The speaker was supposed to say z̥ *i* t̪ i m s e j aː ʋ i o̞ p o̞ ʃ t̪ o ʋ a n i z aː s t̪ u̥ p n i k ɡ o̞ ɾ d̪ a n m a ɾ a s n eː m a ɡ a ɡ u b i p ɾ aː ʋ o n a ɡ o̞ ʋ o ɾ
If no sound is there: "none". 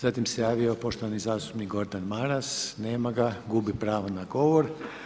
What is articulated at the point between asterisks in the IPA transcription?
a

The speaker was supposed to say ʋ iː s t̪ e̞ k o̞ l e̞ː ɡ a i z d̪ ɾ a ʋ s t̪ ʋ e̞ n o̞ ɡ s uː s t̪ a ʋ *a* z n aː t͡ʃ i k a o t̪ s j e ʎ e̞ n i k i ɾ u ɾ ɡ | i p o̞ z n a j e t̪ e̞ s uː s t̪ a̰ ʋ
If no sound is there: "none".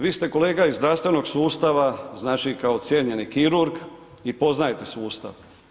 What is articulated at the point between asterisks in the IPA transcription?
a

